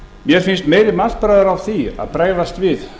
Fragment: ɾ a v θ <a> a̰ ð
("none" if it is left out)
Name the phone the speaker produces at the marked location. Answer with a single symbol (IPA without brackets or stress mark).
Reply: i